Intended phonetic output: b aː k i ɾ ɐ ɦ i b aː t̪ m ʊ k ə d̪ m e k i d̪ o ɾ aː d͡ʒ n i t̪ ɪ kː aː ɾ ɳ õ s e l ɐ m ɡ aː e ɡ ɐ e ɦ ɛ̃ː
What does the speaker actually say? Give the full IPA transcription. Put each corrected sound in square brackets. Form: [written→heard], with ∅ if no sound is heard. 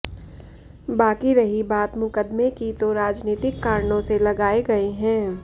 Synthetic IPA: b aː k i ɾ ɐ ɦ i b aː t̪ m ʊ k ə d̪ m e k i [d̪→t̪] o ɾ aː d͡ʒ n [i→iː] t̪ ɪ kː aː ɾ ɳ õ s e l ɐ [m→∅] ɡ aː e ɡ ɐ e ɦ ɛ̃ː